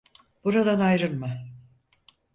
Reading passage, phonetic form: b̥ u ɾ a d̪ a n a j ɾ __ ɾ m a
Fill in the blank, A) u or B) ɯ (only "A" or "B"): B